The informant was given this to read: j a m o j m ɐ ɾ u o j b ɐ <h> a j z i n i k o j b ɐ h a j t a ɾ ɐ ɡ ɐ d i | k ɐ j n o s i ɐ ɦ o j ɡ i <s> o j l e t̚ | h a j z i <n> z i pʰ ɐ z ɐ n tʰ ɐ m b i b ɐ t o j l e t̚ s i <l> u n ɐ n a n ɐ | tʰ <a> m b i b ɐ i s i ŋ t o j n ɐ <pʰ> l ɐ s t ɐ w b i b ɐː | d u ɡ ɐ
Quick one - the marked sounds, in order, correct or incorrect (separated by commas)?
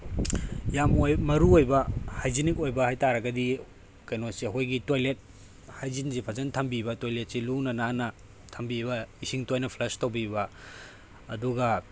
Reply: correct, incorrect, correct, correct, incorrect, correct